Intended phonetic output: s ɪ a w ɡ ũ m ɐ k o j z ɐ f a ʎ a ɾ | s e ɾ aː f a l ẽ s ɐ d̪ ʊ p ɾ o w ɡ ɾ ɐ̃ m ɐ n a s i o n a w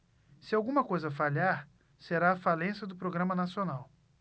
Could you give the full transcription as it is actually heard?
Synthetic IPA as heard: s ɪ a w ɡ ũ m ɐ k o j z ɐ f a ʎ a ɾ | s e ɾ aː f a l ẽ s ɐ d̪ ʊ p ɾ o ɡ ɾ ɐ̃ m ɐ n a s i o n a w